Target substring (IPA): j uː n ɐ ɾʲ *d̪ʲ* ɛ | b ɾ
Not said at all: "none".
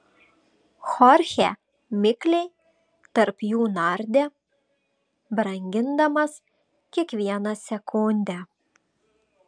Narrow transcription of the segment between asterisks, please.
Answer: d̪ʲ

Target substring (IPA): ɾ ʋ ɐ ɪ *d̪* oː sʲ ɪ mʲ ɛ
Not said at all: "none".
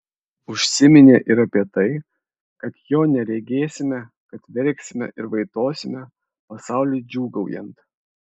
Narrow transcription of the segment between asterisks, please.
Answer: t̪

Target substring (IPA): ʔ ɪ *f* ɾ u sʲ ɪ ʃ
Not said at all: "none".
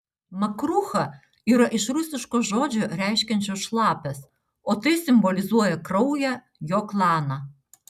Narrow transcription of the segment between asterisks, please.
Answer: ʃ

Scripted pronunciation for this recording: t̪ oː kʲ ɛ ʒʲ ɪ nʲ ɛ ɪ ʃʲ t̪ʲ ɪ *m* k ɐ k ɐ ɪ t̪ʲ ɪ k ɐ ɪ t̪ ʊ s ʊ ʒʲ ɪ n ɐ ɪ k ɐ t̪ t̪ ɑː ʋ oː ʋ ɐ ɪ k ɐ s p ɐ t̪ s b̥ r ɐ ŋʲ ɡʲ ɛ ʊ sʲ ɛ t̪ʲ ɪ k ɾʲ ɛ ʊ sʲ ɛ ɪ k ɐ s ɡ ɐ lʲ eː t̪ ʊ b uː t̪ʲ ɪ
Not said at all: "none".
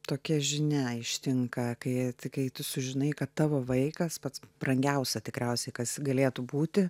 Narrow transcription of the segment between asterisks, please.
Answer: ŋ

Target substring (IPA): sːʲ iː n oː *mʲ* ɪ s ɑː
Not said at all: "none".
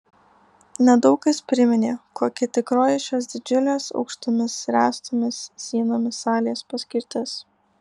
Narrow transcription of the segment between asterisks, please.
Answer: mʲ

